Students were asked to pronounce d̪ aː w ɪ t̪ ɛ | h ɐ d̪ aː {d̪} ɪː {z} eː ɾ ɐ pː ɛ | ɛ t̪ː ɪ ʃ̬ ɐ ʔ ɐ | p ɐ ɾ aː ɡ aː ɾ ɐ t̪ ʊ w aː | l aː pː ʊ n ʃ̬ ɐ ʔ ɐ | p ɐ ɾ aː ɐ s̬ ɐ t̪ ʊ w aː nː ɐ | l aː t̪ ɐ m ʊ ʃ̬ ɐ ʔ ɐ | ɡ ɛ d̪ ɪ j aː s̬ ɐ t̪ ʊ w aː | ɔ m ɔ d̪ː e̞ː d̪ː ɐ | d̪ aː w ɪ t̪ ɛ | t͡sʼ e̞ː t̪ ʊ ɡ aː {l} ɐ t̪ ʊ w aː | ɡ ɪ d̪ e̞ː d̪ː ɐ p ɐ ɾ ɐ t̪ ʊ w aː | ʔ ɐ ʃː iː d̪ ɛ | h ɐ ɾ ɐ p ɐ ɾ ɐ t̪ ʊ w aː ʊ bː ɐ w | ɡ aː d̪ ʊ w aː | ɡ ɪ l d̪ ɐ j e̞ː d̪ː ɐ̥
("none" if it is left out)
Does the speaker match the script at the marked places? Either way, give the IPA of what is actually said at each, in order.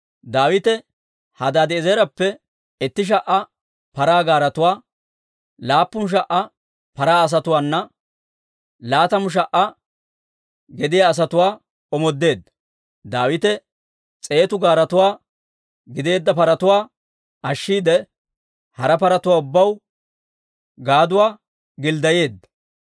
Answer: d̪, z, ɾ

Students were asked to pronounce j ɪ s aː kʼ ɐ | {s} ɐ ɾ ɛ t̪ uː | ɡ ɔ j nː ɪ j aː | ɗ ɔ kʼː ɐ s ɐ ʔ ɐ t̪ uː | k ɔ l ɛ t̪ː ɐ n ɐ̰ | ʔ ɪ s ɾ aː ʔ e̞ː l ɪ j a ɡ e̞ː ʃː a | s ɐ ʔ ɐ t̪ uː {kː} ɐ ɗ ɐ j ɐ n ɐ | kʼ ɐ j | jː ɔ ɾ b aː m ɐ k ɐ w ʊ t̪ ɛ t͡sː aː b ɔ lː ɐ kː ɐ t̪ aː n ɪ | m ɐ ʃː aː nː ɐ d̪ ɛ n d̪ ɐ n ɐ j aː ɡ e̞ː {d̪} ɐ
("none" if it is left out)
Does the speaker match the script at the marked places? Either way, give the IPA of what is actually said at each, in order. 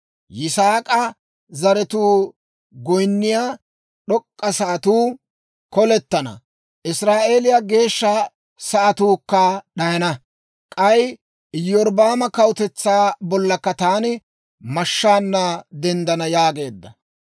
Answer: z, kː, d̪ː

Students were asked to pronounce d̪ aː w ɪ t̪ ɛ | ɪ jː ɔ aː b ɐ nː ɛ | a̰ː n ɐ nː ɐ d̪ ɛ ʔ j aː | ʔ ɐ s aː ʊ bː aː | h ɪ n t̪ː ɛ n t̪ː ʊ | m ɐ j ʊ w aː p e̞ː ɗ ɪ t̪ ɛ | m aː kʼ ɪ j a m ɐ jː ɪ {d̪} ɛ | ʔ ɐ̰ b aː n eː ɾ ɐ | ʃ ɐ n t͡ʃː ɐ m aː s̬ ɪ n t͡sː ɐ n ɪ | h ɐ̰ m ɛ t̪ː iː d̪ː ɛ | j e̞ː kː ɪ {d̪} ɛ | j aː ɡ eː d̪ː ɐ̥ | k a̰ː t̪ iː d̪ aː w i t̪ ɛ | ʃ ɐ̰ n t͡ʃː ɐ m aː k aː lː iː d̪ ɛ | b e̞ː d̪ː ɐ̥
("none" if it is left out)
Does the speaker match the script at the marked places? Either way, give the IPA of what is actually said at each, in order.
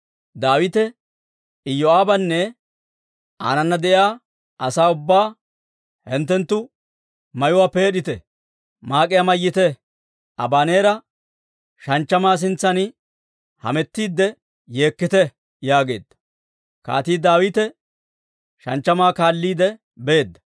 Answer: t̪, t̪

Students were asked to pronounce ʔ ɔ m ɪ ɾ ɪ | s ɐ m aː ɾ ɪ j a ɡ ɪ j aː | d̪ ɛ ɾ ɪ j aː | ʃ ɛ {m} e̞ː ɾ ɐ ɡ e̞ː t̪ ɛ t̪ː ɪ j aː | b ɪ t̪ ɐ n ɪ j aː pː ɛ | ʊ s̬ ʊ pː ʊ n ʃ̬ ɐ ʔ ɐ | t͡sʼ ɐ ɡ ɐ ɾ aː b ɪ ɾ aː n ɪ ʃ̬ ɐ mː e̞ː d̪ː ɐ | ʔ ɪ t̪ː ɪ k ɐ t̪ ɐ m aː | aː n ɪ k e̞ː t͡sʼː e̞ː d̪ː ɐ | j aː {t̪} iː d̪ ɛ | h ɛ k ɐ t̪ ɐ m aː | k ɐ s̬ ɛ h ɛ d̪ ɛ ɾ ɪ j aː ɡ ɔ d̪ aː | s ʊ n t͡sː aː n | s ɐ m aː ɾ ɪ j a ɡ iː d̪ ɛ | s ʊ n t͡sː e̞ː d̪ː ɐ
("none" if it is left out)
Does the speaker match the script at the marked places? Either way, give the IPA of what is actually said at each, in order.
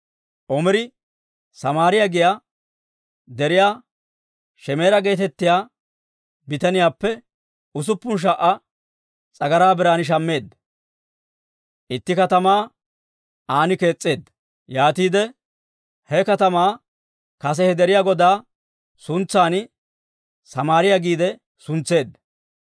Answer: m, t̪

